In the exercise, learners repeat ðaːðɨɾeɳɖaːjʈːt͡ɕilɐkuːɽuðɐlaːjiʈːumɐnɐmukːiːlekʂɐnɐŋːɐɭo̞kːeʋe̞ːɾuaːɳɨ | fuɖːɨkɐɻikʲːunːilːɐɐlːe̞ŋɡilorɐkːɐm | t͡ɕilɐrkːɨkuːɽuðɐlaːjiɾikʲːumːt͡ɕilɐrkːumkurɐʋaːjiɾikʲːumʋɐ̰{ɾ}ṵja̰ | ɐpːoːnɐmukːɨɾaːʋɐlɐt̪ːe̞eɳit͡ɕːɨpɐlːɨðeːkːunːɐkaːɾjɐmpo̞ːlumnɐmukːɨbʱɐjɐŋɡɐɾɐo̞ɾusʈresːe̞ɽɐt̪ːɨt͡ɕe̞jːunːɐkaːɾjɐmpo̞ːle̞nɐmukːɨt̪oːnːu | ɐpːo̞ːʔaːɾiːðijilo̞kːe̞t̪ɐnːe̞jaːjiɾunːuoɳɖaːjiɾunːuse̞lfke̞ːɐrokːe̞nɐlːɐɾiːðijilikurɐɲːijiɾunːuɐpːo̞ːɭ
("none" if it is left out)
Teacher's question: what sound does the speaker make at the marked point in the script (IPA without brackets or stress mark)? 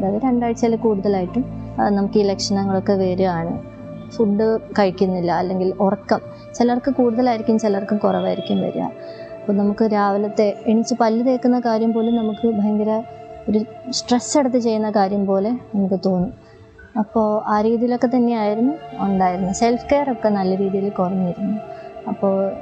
ɾ